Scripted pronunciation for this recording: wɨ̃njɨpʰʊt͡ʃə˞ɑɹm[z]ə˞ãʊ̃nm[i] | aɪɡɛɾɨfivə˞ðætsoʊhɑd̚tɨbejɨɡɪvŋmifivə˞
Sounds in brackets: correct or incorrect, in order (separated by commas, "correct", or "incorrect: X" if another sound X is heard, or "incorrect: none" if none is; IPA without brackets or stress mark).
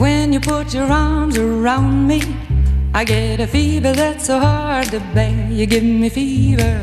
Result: correct, correct